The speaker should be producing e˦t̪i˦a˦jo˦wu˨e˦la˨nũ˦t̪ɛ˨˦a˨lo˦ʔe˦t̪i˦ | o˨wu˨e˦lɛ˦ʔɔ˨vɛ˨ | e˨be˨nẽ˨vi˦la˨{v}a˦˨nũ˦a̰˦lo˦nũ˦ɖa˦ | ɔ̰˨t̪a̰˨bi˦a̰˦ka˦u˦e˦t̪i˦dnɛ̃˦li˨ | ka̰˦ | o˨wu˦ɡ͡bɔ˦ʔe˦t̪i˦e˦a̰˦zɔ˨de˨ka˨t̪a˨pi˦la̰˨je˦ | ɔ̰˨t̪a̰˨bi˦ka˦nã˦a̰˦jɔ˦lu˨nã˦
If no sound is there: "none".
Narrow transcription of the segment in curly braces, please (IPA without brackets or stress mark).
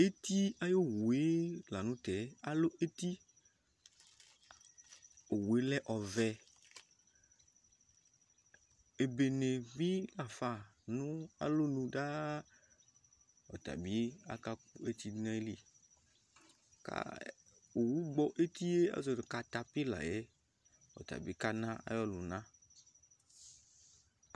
f